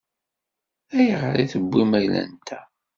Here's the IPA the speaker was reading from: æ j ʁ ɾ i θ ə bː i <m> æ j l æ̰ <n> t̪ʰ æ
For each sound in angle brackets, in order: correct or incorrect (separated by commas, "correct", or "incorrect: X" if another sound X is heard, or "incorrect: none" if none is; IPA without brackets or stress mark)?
correct, correct